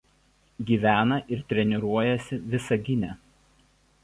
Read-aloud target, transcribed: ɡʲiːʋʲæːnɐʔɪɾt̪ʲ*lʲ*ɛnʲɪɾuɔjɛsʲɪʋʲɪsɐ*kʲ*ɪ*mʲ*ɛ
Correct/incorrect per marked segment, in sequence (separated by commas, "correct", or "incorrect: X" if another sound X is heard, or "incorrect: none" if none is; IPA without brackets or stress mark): incorrect: ɾʲ, incorrect: ɡʲ, incorrect: nʲ